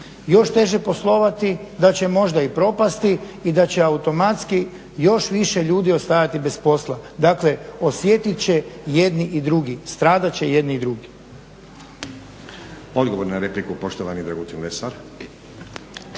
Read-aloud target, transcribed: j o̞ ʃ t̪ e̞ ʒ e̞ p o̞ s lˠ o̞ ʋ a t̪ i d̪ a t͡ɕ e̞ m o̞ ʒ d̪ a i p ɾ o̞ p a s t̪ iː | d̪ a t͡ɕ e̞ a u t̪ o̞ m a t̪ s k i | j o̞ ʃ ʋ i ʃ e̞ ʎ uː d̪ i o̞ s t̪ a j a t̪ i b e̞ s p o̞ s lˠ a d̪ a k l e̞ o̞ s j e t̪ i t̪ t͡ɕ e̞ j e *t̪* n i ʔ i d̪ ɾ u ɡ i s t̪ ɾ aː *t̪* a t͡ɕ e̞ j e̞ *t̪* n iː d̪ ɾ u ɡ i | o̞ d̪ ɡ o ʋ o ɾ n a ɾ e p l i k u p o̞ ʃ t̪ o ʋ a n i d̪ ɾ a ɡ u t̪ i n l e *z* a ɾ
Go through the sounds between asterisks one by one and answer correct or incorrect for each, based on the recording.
incorrect, incorrect, incorrect, incorrect

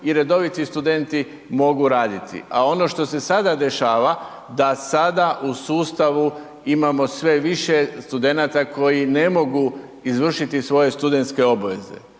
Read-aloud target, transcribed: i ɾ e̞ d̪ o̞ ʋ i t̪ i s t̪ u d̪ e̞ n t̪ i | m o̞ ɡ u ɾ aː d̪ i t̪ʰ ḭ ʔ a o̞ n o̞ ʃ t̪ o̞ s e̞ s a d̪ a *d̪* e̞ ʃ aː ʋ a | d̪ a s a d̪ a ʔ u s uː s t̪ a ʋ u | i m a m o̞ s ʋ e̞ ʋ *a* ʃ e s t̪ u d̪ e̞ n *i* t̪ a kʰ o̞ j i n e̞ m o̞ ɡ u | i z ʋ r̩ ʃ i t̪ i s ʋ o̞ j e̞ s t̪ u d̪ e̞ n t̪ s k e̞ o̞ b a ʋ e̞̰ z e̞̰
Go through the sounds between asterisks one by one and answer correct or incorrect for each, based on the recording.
correct, incorrect, incorrect

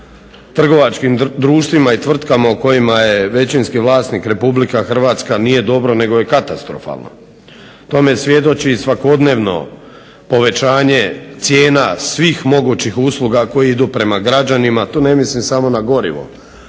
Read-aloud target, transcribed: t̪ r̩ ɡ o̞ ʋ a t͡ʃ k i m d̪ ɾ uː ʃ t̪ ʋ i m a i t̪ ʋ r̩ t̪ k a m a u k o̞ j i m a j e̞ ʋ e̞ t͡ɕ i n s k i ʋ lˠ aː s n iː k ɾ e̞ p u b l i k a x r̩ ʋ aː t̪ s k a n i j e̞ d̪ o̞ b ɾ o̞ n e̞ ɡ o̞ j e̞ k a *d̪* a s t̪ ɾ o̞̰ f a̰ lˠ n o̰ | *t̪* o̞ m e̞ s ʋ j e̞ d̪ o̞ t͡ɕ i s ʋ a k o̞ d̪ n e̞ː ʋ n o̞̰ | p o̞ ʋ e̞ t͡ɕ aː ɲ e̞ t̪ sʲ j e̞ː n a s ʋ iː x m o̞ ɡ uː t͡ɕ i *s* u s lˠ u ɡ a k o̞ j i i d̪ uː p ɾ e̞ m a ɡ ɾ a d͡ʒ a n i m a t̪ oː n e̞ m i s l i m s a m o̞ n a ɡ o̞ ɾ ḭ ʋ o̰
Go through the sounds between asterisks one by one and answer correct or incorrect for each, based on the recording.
incorrect, correct, incorrect

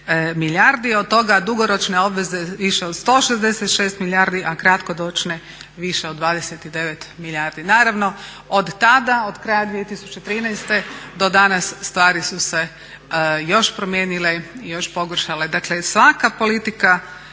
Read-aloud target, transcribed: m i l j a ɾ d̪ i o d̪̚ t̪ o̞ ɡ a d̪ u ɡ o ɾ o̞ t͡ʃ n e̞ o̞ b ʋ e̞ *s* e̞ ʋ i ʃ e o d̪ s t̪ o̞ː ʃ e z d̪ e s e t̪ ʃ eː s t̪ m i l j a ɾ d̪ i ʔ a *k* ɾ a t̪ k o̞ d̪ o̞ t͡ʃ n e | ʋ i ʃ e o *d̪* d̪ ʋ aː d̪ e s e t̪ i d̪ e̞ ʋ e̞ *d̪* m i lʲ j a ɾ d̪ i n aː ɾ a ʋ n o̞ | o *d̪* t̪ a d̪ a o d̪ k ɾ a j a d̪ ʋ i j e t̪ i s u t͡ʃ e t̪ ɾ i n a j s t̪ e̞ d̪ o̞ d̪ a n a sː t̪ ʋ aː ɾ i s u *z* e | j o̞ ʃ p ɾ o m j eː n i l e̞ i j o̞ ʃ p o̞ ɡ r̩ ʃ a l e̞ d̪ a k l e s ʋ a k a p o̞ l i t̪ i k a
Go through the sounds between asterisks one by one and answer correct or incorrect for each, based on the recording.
incorrect, correct, correct, incorrect, correct, incorrect

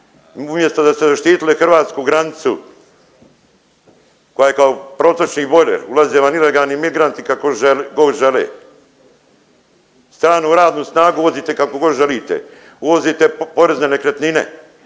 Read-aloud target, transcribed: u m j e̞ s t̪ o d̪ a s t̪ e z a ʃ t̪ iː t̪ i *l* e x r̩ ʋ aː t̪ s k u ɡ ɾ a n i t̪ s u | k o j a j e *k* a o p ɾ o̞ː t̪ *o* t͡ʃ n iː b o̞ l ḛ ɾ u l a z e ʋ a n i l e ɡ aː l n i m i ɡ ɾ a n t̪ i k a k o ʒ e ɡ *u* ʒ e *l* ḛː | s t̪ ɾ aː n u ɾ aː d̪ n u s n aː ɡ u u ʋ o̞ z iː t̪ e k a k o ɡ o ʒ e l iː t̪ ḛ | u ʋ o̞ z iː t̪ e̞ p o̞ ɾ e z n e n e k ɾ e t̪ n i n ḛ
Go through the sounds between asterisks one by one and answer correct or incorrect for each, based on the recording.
correct, correct, correct, incorrect, correct

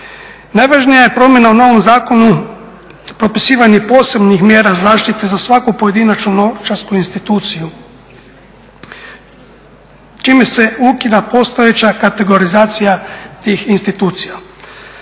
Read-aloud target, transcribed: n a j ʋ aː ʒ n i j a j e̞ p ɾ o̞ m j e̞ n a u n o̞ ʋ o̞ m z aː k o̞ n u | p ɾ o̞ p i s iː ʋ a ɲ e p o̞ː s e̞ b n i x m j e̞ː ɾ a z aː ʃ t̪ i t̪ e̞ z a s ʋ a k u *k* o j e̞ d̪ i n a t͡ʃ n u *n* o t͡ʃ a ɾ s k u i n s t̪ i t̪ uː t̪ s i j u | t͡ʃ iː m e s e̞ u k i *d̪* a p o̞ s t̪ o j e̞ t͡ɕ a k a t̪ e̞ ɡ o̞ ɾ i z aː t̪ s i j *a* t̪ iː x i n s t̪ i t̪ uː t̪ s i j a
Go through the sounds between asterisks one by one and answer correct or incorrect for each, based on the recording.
incorrect, correct, correct, correct

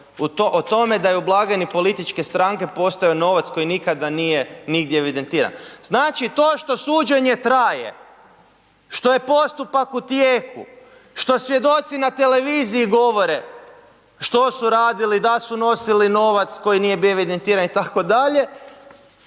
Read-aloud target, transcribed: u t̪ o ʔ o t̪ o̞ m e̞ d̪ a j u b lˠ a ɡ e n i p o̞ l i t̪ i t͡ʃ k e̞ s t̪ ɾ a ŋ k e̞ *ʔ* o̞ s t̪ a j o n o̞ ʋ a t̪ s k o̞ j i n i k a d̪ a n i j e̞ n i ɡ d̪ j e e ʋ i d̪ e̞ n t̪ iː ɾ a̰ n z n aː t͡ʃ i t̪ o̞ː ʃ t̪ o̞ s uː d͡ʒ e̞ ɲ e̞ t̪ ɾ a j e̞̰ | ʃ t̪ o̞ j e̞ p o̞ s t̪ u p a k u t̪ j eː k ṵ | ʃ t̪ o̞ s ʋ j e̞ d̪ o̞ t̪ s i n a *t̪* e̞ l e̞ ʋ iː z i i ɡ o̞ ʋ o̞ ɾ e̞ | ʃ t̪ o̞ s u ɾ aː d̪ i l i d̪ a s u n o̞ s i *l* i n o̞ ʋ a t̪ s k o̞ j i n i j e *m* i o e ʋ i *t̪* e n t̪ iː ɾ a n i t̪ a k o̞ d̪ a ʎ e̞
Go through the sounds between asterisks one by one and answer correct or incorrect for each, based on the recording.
incorrect, correct, correct, incorrect, incorrect

